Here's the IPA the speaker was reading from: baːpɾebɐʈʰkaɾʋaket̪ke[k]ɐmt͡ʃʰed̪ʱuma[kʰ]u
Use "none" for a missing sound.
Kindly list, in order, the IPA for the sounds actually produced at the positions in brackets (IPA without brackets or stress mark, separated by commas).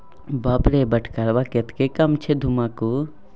k, k